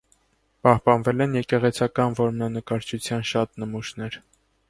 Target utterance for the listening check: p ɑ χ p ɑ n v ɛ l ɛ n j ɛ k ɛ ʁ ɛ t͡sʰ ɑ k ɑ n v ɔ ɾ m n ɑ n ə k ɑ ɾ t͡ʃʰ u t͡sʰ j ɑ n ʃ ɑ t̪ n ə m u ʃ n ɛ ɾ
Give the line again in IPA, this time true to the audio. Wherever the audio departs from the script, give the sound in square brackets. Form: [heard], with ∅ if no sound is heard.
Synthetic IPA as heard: p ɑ [h] p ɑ n v ɛ l ɛ n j ɛ k ɛ ʁ ɛ t͡sʰ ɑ k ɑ n v ɔ ɾ m n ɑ n ə k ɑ ɾ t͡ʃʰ u t͡sʰ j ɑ n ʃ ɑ t̪ n ə m u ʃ n ɛ ɾ